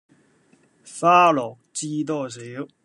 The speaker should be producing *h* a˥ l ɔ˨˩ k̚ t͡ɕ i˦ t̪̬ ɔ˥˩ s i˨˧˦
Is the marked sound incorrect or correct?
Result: incorrect: f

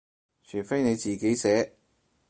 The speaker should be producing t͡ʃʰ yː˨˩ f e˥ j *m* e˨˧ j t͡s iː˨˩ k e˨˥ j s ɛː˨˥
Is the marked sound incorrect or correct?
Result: incorrect: n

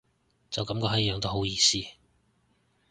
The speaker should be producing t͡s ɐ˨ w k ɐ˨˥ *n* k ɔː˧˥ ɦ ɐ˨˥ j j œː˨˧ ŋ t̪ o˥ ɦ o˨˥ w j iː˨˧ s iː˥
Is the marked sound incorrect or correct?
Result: incorrect: m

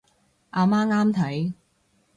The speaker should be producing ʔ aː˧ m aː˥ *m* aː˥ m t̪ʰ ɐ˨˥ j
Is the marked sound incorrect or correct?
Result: incorrect: ŋ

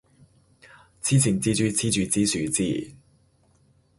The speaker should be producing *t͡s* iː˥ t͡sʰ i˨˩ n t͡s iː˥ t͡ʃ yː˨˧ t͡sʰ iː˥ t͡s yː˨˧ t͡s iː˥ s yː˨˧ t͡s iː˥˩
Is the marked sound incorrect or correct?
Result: incorrect: t͡sʰ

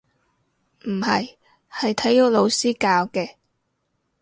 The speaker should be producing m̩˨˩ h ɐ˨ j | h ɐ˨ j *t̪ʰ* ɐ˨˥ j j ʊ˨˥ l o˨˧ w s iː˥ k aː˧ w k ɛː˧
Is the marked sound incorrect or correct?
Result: correct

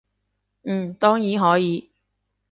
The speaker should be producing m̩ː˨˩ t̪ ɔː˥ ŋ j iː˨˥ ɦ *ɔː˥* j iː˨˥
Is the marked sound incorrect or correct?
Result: incorrect: ɔː˨˥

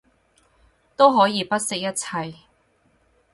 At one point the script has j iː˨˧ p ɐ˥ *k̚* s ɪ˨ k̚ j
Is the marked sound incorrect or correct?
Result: incorrect: t̚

